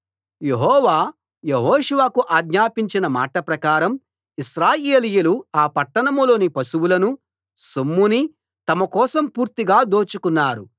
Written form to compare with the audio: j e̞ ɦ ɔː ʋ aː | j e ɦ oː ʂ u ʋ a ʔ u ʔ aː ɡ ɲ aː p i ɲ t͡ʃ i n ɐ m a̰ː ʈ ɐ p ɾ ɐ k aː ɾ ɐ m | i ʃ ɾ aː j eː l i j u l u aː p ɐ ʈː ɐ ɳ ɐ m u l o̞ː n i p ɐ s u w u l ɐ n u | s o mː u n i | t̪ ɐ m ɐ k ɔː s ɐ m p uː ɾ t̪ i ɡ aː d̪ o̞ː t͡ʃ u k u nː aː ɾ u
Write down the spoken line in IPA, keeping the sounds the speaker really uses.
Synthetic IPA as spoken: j e̞ ɦ ɔː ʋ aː | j e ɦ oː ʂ u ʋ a k u ʔ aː ɡ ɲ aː p i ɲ t͡ʃ i n ɐ m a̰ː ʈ ɐ p ɾ ɐ k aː ɾ ɐ m | i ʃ ɾ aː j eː l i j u l u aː p ɐ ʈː ɐ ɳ ɐ m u l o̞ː n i p ɐ s u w u l ɐ n u | s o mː u n i | t̪ ɐ m ɐ k ɔː s ɐ m p uː ɾ t̪ i ɡ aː d̪ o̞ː t͡ʃ u k u nː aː ɾ u